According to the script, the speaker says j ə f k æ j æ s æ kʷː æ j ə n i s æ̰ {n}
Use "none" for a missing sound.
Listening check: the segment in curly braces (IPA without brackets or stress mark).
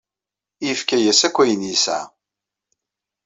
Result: none